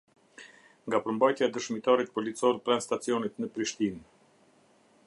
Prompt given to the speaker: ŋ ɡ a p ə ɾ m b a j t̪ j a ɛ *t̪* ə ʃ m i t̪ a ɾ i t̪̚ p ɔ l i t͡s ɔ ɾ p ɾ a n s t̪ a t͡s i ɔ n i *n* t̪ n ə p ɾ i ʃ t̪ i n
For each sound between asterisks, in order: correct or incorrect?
incorrect, incorrect

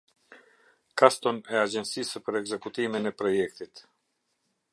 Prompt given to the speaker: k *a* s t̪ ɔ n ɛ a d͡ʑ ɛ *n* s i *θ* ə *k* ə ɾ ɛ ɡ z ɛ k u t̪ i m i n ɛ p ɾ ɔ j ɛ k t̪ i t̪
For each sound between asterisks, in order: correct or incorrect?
correct, correct, incorrect, incorrect

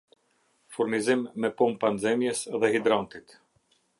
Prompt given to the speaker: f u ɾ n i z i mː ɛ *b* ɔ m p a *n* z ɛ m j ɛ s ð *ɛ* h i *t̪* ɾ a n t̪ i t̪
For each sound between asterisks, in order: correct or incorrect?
incorrect, correct, correct, incorrect

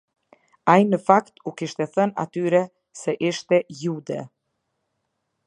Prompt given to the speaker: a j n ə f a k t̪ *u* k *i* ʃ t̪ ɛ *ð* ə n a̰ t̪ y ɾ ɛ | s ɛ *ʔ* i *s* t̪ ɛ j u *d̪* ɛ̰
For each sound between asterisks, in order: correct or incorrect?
correct, correct, incorrect, correct, incorrect, correct

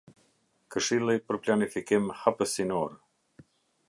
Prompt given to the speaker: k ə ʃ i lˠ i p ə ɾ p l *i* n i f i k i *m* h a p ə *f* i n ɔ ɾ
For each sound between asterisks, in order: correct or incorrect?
incorrect, correct, incorrect

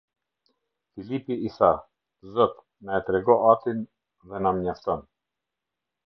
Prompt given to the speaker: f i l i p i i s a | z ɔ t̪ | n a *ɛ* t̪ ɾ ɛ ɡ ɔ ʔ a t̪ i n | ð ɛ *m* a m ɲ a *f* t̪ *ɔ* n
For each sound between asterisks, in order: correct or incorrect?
correct, incorrect, correct, correct

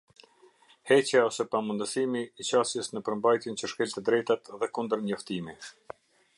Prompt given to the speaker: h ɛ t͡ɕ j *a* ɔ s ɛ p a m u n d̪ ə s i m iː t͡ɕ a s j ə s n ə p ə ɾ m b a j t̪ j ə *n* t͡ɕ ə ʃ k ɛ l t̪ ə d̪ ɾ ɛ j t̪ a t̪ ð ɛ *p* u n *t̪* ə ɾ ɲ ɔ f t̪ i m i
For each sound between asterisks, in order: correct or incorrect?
correct, correct, incorrect, incorrect

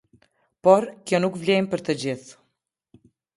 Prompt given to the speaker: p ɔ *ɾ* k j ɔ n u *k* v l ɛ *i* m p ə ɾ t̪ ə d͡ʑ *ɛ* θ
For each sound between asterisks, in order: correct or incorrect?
correct, correct, incorrect, incorrect

